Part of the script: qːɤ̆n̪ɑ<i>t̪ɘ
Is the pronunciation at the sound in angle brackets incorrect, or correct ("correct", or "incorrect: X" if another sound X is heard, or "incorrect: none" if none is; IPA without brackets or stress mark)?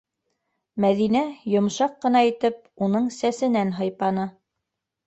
correct